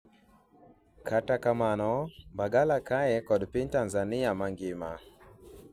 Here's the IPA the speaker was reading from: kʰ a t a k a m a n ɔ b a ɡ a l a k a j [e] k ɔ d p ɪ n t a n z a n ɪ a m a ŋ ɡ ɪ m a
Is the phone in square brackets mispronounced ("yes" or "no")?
yes